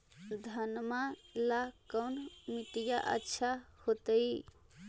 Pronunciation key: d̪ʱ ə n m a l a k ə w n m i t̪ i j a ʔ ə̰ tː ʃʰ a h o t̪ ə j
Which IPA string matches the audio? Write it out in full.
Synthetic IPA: d̪ʱ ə n m a l a k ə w n m i t̪ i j a ʔ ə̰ tː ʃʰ a h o t̪ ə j